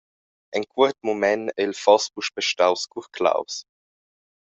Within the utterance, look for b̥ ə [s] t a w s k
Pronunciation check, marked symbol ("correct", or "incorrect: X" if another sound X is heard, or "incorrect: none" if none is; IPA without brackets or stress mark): incorrect: ʃ